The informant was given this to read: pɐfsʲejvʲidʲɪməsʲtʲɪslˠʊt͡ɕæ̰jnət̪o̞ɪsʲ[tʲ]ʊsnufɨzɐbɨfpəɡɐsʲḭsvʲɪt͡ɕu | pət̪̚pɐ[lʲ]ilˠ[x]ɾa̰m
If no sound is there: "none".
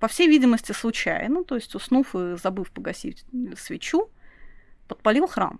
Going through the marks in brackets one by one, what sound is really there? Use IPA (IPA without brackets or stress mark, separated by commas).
tʲ, lʲ, x